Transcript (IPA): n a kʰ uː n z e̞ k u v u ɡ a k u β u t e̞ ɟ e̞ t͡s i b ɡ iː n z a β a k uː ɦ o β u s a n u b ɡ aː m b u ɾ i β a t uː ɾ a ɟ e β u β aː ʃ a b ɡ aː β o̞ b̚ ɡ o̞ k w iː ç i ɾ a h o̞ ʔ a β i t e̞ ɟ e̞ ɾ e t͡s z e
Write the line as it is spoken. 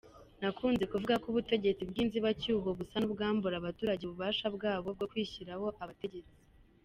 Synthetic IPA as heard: n a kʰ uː n z e̞ k u v u ɡ a k u β u t e̞ ɟ e̞ t͡s i b ɡ iː n z i β a c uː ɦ o β u s a n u b ɡ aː m b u ɾ a β a t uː ɾ a ɟ e β u β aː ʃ a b ɡ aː β o̞ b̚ ɡ o̞ k w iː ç i ɾ a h o̞ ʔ a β a t e̞ ɟ e̞ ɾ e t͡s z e